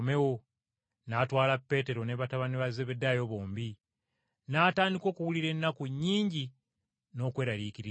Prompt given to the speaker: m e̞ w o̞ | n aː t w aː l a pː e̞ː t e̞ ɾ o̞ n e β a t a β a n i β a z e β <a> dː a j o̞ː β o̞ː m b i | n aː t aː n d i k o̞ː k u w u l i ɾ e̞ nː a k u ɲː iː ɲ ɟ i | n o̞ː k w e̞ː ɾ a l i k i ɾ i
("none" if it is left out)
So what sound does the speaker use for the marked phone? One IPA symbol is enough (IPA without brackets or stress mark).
e